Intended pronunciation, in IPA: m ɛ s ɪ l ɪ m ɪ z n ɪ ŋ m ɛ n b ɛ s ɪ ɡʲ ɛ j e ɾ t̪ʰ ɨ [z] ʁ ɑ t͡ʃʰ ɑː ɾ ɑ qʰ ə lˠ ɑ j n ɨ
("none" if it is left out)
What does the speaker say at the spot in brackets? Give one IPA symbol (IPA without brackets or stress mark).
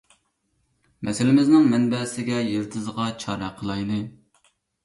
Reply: z